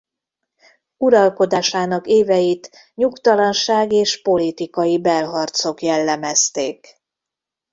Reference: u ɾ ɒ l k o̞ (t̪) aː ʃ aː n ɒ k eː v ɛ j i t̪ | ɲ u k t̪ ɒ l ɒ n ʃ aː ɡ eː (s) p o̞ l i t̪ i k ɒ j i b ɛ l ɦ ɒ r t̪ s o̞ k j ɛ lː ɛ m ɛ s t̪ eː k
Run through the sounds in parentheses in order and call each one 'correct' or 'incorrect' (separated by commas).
incorrect, incorrect